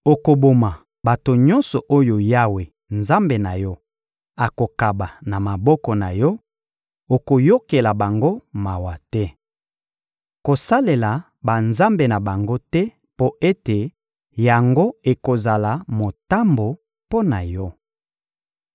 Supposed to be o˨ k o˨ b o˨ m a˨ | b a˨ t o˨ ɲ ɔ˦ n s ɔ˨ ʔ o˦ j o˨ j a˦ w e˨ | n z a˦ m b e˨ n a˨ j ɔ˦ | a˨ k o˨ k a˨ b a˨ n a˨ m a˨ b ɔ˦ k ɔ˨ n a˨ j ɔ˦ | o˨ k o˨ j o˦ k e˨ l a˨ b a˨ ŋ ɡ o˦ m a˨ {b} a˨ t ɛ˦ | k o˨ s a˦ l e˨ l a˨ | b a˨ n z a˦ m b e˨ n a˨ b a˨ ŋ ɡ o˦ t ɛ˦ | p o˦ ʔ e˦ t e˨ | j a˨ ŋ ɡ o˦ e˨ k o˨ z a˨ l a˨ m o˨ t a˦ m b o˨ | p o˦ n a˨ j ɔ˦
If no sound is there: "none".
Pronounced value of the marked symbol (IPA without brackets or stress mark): w